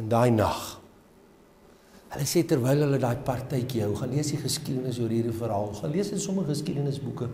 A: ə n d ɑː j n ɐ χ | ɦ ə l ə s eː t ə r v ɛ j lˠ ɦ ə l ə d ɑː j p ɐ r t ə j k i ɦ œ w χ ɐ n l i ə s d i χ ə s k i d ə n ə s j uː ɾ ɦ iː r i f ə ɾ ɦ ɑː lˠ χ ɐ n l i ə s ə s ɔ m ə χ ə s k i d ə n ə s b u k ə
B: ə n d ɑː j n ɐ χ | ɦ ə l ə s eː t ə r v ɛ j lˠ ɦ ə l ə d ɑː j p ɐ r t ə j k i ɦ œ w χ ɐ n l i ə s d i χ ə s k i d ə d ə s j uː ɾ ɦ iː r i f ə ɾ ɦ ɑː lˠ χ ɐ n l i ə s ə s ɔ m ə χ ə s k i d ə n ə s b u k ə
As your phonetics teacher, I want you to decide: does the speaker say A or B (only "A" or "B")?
A